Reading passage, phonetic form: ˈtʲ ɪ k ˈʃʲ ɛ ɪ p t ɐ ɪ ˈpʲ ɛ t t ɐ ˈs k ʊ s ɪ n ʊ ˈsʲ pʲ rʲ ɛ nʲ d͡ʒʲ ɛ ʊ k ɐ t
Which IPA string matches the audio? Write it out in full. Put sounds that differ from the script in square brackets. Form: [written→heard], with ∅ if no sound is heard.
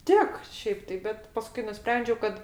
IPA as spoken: ˈtʲ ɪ k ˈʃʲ ɛ ɪ p t ɐ ɪ [ˈpʲ→ˈbʲ] ɛ t [t→p] ɐ ˈs k ʊ [s→∅] ɪ n ʊ ˈsʲ pʲ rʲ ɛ nʲ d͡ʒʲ ɛ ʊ k ɐ t